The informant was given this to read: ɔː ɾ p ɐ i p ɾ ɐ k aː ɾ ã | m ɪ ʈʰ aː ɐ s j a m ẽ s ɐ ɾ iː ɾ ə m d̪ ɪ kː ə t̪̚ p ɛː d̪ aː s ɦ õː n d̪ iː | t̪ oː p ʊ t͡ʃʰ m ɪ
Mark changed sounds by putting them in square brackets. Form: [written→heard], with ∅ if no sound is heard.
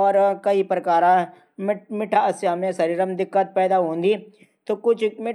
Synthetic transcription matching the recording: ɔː ɾ [p→k] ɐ i p ɾ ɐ k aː ɾ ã | m ɪ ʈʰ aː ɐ s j a m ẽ s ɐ ɾ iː ɾ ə m d̪ ɪ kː ə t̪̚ p ɛː d̪ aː [s→∅] ɦ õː n d̪ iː | t̪ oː [p→k] ʊ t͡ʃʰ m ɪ